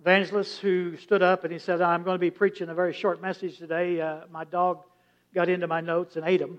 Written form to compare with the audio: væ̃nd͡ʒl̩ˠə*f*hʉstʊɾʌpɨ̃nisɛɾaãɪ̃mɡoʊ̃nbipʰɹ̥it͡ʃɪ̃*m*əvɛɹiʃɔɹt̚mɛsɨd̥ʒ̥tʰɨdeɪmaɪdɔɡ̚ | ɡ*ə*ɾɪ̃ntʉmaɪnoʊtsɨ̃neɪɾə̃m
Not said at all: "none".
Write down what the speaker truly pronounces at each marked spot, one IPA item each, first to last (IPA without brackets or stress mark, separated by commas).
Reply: s, ŋ, ɑ